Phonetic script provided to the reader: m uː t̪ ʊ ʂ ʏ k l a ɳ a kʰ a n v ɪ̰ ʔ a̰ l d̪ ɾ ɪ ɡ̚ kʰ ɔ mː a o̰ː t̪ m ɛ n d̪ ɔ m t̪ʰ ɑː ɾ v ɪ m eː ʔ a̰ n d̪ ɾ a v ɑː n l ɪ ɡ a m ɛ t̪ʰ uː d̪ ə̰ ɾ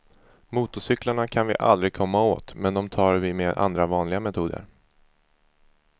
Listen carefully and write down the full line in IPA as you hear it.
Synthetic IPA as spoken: m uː t̪ ʊ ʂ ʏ k l a ɳ a kʰ a n v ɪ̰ ʔ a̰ l d̪ ɾ ɪ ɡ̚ kʰ ɔ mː a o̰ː t̪ m ɛ n d̪ ɔ m t̪ʰ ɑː ɾ v ɪ m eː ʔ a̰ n d̪ ɾ a v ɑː n l ɪ ɡ a m ɛ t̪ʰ uː d̪ ə̰ ɾ

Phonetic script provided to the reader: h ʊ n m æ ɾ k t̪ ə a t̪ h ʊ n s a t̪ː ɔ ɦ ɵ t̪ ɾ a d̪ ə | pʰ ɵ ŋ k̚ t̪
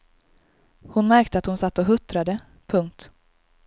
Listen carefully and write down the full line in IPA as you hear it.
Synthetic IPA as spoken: h ʊ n m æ ɾ k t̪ ə a t̪ h ʊ n s a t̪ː ɔ ɦ ɵ t̪ ɾ a d̪ ə | pʰ ɵ ŋ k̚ t̪

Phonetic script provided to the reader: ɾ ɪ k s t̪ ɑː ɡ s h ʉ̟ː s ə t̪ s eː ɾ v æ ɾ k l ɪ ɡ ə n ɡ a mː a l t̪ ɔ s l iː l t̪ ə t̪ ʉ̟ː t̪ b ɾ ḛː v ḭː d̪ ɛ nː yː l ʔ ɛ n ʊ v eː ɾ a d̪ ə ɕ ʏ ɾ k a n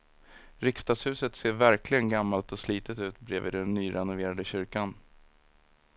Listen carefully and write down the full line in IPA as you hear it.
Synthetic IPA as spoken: ɾ ɪ k s t̪ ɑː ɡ s h ʉ̟ː s ə t̪ s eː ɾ v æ ɾ k l ɪ ɡ ə n ɡ a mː a l t̪ ɔ s l iː t̪ ə t̪ ʉ̟ː t̪ b ɾ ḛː v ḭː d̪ ɛ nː yː ɾ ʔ ɛ n ʊ v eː ɾ a d̪ ə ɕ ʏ ɾ k a n

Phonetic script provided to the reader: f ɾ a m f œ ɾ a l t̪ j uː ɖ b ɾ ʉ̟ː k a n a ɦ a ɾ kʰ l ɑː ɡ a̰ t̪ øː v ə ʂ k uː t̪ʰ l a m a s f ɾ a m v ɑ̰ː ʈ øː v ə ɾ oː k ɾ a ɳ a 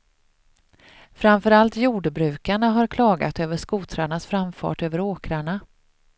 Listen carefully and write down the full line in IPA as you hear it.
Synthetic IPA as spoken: f ɾ a m f œ ɾ a l t̪ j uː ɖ b ɾ ʉ̟ː k a ɳ a ɦ a ɾ kʰ l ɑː ɡ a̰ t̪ øː v ə ʂ k uː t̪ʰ ɾ a ɳ a s f ɾ a m f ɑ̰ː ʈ øː v ə ɾ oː k ɾ a ɳ a

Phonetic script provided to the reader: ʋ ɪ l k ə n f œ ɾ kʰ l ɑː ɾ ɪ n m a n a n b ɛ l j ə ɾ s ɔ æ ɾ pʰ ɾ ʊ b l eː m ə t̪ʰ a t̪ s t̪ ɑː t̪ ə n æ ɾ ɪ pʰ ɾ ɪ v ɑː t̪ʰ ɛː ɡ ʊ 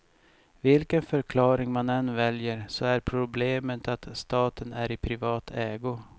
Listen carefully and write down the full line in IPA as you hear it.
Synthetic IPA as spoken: v ɪ l k ə n f œ ɾ kʰ l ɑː ɾ ɪ ŋ m a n ɛ n v ɛ l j ə ɾ s ɔ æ ɾ pʰ ɾ ʊ b l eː m ə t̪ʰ a t̪ s t̪ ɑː t̪ ə n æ ɾ ɪ pʰ ɾ ɪ v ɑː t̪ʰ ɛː ɡ ʊ

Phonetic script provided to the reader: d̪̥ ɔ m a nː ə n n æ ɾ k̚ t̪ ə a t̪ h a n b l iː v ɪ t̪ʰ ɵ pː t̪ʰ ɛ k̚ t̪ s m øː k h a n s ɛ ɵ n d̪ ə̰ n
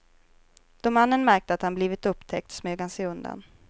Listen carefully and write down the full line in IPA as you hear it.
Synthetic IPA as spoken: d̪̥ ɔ m a nː ə n m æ ɾ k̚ t̪ ə a t̪ h a n b l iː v ɪ t̪ ɵ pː t̪ʰ ɛ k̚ t̪ s m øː ɡ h a n s ɛ ɵ n d̪ a̰ n

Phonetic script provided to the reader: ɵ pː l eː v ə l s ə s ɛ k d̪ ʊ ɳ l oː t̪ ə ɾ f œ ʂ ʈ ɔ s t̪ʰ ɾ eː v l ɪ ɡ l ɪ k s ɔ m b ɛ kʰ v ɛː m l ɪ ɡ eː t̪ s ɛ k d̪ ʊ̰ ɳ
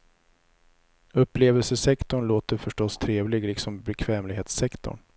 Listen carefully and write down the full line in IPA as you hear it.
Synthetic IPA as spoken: ɵ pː l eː v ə l s ə s ɛ k t̪ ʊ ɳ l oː t̪ ə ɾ f œ ʂ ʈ ɔ s t̪ʰ ɾ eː v l ɪ ɡ l ɪ k s ɔ m b ɛ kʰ v ɛː m l ɪ ɡ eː t̪ s ɛ k t̪ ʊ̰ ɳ

